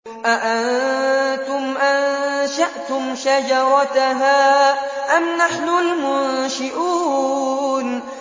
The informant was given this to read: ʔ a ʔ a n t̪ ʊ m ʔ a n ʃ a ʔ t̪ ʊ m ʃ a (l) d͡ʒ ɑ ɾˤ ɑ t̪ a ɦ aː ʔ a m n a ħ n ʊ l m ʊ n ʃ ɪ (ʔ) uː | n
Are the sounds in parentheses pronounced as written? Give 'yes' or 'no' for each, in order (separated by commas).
no, yes